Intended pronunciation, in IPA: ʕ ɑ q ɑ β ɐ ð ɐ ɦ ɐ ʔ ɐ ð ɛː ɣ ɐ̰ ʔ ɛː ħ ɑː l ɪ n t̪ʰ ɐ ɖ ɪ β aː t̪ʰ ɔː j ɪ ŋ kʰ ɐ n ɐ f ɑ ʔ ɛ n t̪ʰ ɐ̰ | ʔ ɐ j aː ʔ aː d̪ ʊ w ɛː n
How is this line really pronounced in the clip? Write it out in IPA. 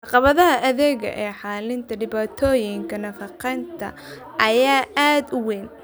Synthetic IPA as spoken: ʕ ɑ q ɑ β ɐ ð ɐ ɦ ɐ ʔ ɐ ð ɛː ɣ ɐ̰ ʔ ɛː ħ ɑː l ɪ n t̪ʰ ɐ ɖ ɪ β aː t̪ʰ ɔː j ɪ ŋ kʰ ɐ n ɐ f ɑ q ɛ n t̪ʰ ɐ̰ | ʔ ɐ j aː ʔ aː d̪ ʊ w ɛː n